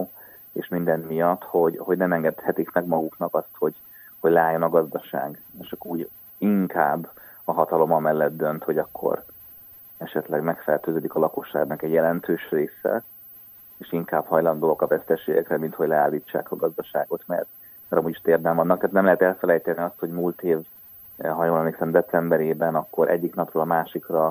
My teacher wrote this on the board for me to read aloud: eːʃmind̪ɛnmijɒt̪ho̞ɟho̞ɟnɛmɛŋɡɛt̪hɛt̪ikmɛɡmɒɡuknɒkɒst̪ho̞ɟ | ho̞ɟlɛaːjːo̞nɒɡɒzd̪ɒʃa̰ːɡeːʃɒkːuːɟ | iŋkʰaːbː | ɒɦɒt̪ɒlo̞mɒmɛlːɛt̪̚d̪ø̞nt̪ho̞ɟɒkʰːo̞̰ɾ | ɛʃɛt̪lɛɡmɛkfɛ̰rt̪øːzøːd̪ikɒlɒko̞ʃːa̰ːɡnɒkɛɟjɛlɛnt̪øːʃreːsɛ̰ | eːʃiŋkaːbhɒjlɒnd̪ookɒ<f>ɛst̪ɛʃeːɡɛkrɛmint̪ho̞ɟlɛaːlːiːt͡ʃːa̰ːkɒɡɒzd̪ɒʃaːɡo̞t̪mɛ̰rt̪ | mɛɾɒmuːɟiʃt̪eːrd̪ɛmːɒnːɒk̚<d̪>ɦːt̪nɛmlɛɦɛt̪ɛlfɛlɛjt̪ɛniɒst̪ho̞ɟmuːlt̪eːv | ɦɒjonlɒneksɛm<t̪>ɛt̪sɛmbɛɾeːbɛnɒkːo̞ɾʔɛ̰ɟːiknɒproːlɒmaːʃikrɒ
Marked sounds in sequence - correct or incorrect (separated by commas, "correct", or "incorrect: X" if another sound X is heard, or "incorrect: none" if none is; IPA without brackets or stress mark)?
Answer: incorrect: v, incorrect: t̪, incorrect: d̪